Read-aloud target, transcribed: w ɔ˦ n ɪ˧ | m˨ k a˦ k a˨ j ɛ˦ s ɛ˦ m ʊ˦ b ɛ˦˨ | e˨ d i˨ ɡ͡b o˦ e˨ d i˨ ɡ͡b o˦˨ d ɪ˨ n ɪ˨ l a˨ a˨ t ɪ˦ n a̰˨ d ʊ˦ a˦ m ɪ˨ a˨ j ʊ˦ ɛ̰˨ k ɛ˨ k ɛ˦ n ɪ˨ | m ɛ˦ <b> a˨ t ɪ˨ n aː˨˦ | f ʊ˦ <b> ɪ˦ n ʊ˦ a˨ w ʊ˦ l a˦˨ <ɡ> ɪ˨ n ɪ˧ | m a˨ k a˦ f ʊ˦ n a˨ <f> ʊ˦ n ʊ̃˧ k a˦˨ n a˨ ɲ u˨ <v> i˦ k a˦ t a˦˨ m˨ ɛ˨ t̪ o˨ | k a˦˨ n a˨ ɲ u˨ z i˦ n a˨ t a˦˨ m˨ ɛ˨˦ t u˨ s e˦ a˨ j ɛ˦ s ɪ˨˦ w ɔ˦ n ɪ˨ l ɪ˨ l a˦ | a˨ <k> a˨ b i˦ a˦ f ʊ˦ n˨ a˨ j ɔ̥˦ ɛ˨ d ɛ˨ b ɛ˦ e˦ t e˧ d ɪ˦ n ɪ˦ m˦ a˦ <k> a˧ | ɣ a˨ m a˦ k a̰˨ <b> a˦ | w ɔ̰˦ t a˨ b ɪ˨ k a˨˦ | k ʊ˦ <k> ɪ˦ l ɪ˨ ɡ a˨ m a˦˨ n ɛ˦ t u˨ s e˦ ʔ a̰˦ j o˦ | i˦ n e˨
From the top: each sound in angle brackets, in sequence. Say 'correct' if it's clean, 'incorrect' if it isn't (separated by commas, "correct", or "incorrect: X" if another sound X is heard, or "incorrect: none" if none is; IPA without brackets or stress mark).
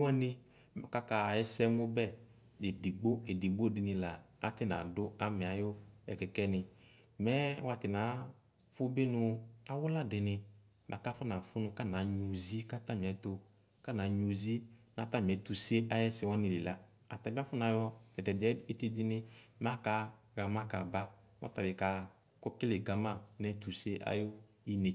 incorrect: w, correct, incorrect: d, correct, incorrect: z, incorrect: t, correct, correct, correct